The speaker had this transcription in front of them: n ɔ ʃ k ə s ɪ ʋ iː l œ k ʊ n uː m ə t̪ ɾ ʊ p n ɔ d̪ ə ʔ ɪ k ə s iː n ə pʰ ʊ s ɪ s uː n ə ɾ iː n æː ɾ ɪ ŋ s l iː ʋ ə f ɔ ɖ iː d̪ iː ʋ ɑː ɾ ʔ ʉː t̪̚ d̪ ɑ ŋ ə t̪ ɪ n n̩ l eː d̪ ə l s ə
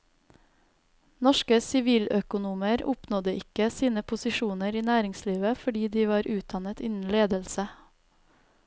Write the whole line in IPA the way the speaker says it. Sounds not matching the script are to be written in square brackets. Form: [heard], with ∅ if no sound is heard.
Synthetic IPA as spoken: n ɔ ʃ k ə s ɪ ʋ iː l œ k ʊ n uː m ə [∅] ɾ ʊ p n ɔ d̪ ə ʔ ɪ k ə s iː n ə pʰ ʊ s ɪ [ʃ] uː n ə ɾ iː n æː ɾ ɪ ŋ s l iː ʋ ə f ɔ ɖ iː d̪ iː ʋ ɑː ɾ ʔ ʉː t̪̚ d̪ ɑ [n] ə t̪ ɪ n n̩ l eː d̪ ə l s ə